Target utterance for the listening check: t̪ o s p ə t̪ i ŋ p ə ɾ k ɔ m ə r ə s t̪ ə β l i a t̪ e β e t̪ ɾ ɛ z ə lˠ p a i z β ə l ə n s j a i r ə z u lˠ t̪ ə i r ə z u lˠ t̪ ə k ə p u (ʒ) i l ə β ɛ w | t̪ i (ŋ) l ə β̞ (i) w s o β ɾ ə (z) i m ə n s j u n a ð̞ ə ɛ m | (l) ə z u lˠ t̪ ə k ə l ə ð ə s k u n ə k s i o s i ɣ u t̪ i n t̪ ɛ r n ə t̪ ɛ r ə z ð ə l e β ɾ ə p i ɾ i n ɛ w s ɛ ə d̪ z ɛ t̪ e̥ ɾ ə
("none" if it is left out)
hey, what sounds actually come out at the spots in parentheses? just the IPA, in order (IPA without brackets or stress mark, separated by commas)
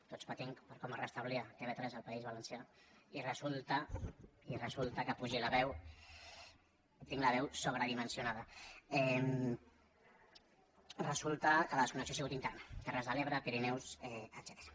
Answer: ʒ, ŋ, ɛ, ð, r